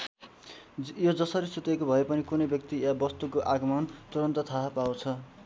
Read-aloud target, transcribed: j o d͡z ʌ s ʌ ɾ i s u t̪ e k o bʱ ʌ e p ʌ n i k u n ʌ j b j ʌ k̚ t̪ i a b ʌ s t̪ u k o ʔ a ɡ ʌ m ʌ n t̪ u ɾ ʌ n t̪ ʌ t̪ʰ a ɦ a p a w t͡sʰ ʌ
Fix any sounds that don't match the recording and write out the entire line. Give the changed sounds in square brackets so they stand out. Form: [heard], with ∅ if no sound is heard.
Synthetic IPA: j o d͡z ʌ s ʌ ɾ i s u t̪ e k o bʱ ʌ e p ʌ n i k u n ʌ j b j ʌ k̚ t̪ i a b ʌ s t̪ u k o ʔ a ɡ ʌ m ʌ n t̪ u ɾ ʌ n t̪ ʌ t̪ʰ a ɦ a p a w t͡sʰ ʌ